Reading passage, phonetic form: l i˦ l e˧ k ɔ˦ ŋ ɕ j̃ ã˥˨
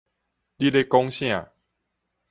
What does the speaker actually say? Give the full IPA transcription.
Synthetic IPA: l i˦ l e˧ k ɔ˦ ŋ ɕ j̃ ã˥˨